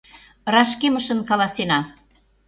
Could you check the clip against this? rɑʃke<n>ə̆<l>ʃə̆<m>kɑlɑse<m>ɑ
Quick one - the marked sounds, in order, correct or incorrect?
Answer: incorrect, incorrect, incorrect, incorrect

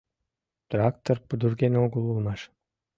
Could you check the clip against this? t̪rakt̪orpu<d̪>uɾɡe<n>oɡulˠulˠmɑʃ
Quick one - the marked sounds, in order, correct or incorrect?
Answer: correct, correct

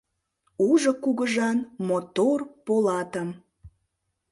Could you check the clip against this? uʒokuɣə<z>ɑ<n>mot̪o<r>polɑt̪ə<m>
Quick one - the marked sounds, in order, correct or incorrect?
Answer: incorrect, correct, correct, correct

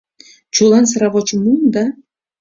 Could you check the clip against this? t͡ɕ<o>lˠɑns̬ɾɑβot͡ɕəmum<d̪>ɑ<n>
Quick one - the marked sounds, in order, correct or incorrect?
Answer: incorrect, correct, incorrect

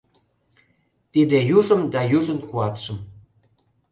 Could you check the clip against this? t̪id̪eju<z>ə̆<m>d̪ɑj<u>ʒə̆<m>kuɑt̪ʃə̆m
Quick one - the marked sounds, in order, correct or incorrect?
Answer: incorrect, correct, correct, incorrect

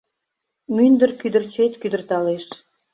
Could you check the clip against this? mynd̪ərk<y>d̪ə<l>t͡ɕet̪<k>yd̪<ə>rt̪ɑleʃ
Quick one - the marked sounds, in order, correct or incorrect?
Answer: correct, incorrect, correct, correct

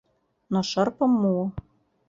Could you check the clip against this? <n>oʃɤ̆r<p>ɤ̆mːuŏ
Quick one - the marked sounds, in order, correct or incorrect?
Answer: correct, correct

